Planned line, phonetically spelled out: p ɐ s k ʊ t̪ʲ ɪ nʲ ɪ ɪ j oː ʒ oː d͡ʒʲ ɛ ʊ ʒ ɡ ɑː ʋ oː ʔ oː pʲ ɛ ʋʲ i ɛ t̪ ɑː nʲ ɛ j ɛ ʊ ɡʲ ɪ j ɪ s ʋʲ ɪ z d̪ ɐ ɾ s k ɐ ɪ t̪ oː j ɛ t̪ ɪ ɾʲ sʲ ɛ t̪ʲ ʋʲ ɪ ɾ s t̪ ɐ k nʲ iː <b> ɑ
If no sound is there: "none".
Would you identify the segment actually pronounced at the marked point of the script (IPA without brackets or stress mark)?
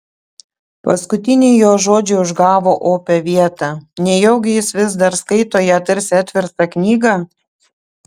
ɡ